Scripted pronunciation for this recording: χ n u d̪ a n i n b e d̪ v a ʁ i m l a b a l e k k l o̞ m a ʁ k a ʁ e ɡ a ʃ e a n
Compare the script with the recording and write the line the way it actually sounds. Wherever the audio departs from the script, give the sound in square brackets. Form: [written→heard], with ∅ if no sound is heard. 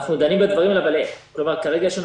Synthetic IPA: χ n u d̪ a n i [n→m] b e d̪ v a ʁ i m l a b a l e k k l o̞ m a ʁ k a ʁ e ɡ a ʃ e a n